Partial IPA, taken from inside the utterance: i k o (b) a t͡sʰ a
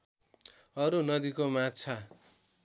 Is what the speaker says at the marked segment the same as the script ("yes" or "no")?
no